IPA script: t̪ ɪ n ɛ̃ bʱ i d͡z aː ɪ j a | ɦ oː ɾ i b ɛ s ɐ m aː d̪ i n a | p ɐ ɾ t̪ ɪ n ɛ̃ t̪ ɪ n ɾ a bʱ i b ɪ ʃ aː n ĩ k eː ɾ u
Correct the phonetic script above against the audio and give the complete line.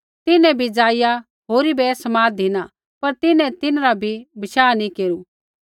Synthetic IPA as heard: t̪ ɪ n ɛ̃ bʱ i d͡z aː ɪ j a | ɦ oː ɾ i b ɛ s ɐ m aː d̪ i n a | p ɐ ɾ t̪ ɪ n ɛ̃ t̪ ɪ n ɾ a bʱ i b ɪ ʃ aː n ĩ k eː ɾ u